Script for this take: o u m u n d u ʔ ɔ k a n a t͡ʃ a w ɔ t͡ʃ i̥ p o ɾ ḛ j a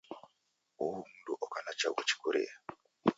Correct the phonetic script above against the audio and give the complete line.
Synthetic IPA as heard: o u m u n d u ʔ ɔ k a n a t͡ʃ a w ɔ t͡ʃ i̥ k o ɾ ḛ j a